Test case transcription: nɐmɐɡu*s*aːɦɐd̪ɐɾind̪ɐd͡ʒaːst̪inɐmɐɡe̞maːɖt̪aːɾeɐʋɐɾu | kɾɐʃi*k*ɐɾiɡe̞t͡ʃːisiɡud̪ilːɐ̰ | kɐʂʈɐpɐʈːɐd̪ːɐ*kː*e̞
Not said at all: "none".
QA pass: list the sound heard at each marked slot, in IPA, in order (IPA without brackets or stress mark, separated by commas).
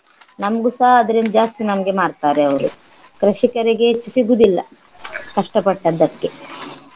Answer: s, k, kː